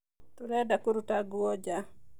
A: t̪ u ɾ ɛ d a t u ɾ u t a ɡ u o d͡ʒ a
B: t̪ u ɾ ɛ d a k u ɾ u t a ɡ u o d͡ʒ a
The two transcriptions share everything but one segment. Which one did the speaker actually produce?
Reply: B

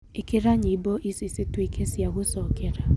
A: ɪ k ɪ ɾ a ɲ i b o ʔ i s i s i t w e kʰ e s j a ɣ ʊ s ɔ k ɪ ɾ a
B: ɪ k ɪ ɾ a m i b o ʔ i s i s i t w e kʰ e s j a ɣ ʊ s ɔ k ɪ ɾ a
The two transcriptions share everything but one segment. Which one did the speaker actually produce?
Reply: A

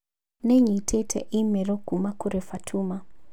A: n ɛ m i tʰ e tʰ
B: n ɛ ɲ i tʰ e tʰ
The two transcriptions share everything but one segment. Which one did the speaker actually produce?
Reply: B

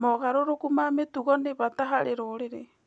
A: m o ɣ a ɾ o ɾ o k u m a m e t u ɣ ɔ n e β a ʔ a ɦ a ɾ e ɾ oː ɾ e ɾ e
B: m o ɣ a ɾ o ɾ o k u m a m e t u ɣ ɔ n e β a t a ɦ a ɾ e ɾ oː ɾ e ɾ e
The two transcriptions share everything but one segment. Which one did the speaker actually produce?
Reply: B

